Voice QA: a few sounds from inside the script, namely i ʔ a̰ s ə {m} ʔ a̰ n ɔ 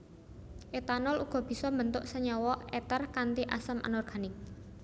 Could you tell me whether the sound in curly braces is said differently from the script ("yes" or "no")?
no